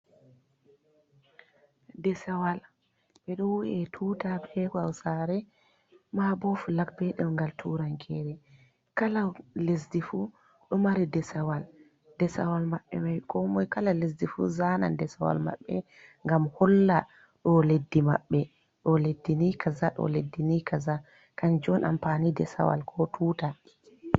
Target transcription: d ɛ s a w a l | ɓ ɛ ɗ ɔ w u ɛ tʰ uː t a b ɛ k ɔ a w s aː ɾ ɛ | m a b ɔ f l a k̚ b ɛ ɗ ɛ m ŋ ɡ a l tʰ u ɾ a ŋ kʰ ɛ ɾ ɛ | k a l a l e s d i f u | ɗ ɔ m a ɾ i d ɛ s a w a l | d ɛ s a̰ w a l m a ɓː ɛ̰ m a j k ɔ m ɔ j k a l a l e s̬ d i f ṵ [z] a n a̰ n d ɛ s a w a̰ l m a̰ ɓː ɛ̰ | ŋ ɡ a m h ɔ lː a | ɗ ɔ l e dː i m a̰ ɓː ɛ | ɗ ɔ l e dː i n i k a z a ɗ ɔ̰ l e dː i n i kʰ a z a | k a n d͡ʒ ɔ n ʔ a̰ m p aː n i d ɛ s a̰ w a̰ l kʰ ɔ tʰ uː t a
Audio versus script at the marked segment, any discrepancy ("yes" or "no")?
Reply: no